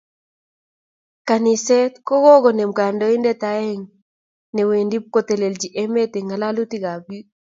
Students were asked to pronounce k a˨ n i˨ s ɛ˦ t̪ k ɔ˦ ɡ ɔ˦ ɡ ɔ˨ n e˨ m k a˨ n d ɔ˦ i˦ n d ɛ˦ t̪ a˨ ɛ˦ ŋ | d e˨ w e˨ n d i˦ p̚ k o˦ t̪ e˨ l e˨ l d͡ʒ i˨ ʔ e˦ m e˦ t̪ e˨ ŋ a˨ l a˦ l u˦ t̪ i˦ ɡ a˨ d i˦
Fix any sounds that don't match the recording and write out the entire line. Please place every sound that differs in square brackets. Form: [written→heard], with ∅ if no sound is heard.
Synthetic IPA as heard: k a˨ n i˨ s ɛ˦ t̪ k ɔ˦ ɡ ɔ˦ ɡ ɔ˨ n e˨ m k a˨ n d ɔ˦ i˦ n d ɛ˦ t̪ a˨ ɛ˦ ŋ | [d→n] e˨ w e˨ n d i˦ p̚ k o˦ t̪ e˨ l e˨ l d͡ʒ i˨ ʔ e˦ m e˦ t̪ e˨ ŋ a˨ l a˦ l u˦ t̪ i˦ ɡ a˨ [d→b] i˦